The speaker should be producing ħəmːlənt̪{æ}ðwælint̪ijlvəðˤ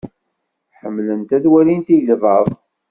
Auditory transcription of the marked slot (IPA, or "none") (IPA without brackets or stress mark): æ